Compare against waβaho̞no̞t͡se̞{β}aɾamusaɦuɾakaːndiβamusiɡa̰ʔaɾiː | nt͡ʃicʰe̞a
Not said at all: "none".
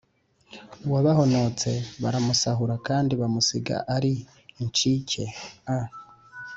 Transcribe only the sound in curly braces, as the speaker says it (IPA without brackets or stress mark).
β